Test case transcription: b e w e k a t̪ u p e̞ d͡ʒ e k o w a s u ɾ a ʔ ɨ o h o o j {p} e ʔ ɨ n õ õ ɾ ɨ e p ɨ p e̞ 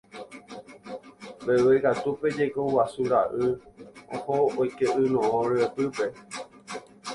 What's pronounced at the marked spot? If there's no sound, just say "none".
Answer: k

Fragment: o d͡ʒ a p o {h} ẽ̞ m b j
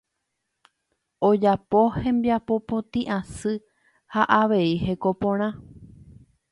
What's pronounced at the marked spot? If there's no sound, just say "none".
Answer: h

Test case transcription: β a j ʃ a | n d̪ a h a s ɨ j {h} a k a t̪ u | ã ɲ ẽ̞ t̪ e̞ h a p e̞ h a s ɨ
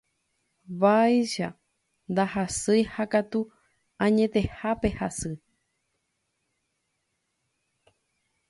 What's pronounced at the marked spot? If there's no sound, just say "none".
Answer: h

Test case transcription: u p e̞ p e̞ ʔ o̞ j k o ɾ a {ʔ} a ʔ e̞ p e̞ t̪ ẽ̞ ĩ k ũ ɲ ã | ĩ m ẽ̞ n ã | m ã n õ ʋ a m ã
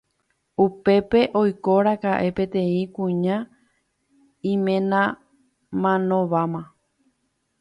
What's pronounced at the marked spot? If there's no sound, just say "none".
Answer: k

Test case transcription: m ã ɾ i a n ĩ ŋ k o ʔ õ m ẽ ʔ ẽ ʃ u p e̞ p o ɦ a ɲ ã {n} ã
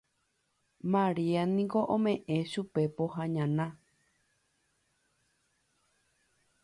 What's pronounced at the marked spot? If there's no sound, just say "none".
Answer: n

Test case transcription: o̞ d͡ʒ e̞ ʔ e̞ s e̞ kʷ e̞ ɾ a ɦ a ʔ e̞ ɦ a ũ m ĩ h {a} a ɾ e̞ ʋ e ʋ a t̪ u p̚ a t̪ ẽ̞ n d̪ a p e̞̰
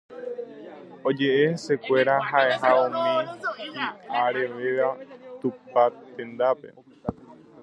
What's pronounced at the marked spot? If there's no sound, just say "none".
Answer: i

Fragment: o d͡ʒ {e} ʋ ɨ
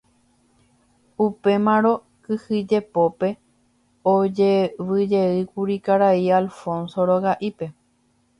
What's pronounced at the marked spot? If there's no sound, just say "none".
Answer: e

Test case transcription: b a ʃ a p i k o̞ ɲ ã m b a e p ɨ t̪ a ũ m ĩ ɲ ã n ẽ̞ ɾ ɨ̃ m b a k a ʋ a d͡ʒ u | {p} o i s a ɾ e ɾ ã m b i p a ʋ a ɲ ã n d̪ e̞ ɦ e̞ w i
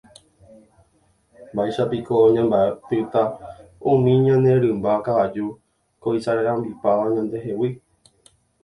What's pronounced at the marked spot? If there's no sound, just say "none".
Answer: k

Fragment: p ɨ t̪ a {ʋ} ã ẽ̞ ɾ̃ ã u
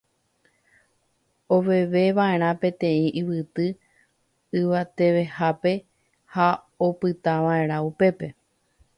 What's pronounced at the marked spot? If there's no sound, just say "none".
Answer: ʋ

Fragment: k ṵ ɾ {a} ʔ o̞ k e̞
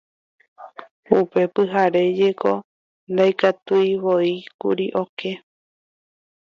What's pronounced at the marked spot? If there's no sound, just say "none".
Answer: i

